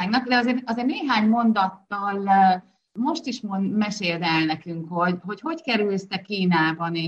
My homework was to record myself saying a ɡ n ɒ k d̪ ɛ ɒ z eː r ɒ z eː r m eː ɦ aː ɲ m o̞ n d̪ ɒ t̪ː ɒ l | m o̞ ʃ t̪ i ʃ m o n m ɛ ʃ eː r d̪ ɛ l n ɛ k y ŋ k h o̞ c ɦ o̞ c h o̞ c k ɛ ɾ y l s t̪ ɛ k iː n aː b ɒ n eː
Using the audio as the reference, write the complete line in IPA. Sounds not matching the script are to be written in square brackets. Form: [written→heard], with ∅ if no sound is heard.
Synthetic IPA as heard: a ɡ n ɒ k d̪ ɛ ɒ z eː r ɒ z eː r [m→n] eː ɦ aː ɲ m o̞ n d̪ ɒ t̪ː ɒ l | m o̞ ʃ t̪ i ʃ m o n m ɛ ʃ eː [r→l] d̪ ɛ l n ɛ k y ŋ k h o̞ [c→ɟ] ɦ o̞ c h o̞ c k ɛ ɾ y l s t̪ ɛ k iː n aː b ɒ n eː